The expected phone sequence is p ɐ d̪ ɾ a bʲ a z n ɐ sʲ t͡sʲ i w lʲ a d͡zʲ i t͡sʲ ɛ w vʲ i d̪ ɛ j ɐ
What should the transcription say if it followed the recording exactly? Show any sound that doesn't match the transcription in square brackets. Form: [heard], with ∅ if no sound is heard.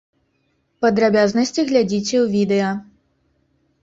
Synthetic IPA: p ɐ d̪ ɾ a bʲ a z n ɐ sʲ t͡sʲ i [ɣ] lʲ a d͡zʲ i t͡sʲ ɛ w vʲ i d̪ ɛ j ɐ